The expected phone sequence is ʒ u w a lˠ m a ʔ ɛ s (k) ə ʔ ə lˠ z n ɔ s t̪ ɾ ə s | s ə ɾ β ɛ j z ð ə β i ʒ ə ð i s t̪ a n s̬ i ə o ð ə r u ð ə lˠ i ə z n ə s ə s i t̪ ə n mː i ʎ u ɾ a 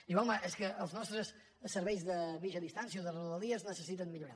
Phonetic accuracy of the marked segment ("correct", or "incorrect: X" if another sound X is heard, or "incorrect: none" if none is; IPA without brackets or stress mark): correct